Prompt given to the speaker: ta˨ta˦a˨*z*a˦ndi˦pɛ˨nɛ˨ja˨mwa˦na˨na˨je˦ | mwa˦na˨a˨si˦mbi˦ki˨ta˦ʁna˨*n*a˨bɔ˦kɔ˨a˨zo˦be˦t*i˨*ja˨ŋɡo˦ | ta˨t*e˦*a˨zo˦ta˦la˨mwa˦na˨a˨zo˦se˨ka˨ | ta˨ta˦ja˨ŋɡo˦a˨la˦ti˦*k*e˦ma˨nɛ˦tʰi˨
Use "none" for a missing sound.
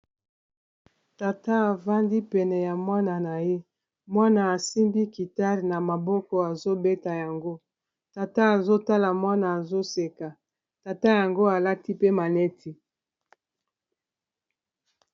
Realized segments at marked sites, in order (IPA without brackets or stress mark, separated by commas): v, m, a˨, a˦, p